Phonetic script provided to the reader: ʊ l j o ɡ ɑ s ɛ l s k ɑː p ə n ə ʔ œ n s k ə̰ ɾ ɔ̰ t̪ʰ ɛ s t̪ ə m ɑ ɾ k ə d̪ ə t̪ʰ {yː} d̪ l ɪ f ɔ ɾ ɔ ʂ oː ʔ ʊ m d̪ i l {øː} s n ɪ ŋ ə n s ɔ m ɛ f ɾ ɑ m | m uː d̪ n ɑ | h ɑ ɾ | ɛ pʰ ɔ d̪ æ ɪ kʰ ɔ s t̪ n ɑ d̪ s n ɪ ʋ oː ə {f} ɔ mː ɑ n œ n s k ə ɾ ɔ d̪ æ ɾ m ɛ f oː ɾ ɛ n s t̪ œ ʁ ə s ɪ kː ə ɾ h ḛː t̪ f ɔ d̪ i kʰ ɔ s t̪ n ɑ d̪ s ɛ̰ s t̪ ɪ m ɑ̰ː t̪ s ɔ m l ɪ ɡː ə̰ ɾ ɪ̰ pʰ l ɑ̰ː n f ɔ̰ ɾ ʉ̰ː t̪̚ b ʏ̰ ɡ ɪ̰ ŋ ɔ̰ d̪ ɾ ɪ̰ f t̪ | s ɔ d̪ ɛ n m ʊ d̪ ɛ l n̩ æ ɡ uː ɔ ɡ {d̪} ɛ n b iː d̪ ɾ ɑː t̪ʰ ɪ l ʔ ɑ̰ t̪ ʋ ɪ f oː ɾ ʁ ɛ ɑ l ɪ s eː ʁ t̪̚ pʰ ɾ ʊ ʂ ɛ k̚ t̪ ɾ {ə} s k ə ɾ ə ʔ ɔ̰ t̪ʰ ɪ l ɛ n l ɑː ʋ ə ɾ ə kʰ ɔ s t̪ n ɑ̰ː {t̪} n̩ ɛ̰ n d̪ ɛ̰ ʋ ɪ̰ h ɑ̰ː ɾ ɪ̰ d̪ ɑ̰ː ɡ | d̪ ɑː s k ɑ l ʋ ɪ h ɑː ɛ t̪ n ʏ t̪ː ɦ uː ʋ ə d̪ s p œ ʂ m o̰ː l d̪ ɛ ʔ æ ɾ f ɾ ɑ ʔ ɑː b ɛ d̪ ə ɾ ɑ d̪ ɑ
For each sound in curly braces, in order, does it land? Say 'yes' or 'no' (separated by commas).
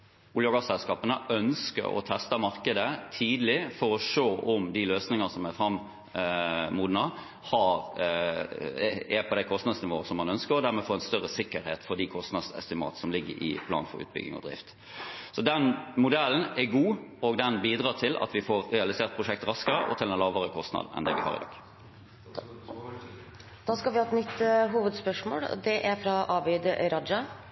no, yes, no, yes, no, no